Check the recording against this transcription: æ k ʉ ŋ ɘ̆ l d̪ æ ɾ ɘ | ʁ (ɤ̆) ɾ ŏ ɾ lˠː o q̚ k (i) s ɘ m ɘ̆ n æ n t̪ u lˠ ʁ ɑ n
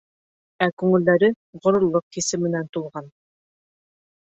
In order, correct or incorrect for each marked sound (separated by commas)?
incorrect, correct